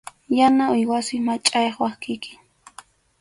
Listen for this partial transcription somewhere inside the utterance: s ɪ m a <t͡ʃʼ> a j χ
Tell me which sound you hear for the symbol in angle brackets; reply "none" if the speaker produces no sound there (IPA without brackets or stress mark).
t͡ʃʼ